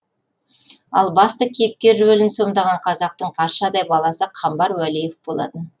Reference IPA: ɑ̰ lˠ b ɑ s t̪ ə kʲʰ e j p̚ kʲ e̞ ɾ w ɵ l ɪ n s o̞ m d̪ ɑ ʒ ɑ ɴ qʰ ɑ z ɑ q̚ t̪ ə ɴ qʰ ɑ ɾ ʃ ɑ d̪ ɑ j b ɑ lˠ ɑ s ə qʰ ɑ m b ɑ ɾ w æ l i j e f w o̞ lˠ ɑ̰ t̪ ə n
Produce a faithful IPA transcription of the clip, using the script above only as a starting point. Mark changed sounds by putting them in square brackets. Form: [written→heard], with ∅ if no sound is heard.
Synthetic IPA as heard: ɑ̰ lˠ b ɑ s t̪ ə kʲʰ e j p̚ kʲ e̞ ɾ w ɵ l ɪ n s o̞ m d̪ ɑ [ʒ→ʁ] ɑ ɴ qʰ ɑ z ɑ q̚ t̪ ə ɴ qʰ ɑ ɾ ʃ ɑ d̪ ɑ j b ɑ lˠ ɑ s ə qʰ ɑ m b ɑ ɾ w æ l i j e f [w→b] o̞ lˠ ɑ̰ t̪ ə n